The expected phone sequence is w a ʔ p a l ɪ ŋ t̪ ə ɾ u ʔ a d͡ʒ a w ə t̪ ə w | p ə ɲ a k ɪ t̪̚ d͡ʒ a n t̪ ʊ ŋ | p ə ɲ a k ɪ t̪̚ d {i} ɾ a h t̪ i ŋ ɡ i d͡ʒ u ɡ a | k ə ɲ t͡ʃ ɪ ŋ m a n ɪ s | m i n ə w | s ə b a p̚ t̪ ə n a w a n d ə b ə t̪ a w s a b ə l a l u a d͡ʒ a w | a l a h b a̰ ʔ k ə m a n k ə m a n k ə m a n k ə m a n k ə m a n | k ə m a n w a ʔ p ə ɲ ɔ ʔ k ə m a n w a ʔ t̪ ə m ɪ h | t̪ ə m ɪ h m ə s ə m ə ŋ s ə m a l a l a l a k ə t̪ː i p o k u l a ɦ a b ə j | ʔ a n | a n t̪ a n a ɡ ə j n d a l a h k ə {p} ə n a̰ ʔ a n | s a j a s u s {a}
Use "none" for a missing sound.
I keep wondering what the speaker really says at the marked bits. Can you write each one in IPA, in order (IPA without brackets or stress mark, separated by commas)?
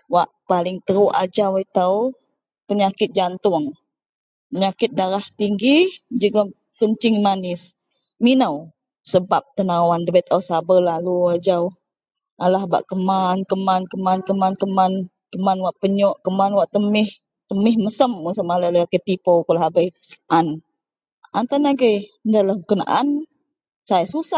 a, k, a